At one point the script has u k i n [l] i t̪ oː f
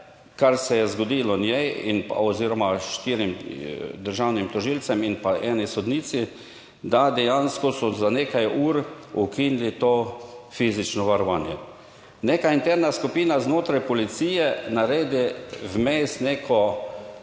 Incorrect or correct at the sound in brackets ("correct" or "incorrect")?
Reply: correct